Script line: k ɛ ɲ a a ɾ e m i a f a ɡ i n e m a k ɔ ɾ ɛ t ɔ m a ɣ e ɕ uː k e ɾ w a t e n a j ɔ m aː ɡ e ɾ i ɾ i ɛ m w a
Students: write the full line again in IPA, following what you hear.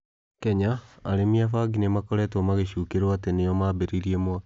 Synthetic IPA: k ɛ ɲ a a ɾ e m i a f a ɡ i n e m a k ɔ ɾ ɛ t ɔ m a ɣ e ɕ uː k e ɾ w a t e n e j ɔ m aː b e ɾ i ɾ i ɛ m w a